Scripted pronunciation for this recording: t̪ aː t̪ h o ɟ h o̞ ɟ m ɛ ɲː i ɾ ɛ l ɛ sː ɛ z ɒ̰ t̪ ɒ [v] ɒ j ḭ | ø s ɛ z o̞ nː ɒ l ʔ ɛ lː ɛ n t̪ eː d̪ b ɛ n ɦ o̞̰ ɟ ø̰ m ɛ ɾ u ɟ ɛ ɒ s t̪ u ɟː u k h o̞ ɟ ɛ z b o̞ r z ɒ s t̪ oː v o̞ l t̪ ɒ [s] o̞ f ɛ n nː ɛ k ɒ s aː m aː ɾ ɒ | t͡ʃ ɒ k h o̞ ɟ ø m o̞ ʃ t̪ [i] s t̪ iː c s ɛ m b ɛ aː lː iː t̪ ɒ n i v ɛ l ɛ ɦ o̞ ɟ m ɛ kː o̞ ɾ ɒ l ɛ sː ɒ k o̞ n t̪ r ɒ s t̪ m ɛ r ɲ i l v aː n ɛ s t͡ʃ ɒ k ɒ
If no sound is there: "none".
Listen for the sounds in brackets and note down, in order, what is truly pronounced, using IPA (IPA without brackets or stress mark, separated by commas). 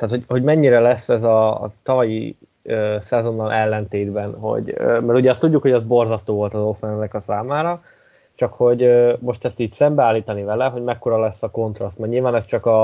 v, z, ɛ